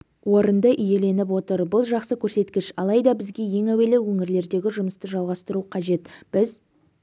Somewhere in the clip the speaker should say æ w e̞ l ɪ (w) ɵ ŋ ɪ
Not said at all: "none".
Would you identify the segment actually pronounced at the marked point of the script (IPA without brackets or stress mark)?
w